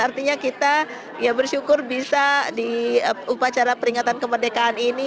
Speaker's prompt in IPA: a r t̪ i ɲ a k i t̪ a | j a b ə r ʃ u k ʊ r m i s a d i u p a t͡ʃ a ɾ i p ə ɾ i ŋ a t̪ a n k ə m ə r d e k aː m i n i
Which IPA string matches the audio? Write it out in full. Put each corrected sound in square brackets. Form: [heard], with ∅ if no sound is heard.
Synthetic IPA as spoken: a r t̪ i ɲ a k i t̪ a | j a b ə r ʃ u k ʊ r [b] i s a d i u p a t͡ʃ a ɾ [a] p ə ɾ i ŋ a t̪ a n k ə m ə r d e k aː [n] i n i